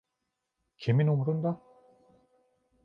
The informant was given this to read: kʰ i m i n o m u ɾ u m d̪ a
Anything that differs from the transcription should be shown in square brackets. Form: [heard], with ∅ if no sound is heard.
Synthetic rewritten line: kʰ [e] m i n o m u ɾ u [n] d̪ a